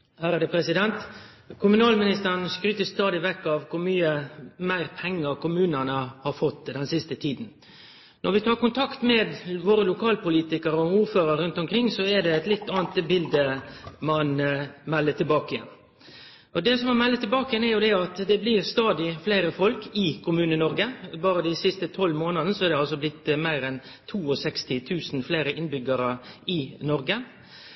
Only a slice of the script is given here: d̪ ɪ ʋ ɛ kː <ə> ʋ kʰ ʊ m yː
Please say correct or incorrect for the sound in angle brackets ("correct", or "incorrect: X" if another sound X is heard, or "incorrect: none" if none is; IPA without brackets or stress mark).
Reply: incorrect: ɑ